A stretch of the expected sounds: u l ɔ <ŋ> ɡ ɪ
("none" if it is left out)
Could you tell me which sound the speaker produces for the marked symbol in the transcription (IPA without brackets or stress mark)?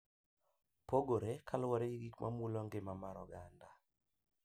ŋ